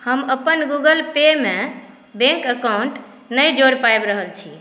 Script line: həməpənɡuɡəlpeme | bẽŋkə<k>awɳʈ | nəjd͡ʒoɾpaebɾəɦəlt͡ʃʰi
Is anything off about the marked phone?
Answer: no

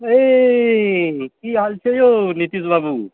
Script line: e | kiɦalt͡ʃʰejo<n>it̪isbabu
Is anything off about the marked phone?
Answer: no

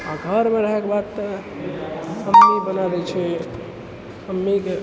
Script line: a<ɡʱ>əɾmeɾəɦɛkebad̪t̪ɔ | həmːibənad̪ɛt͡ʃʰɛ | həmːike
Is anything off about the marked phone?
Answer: no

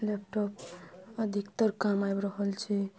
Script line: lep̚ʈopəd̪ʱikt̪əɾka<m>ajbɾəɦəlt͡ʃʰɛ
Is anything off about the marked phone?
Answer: no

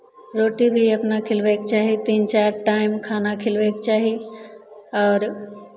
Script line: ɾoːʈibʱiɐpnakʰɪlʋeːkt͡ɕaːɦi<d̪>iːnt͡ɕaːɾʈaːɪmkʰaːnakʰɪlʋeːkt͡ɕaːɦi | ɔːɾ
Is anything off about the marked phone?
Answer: yes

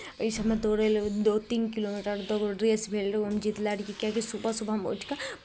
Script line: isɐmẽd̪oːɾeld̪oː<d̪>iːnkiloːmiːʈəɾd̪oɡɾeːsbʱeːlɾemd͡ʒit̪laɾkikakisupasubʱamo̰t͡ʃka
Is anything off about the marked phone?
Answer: yes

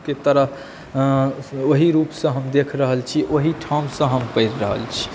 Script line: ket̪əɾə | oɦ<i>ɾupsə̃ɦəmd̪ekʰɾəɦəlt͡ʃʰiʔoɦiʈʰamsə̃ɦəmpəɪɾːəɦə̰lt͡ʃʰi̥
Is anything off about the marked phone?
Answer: no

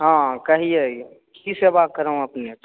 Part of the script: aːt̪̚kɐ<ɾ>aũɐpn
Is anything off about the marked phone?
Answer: no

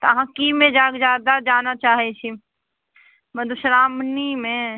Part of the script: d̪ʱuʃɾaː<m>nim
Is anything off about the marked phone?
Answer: no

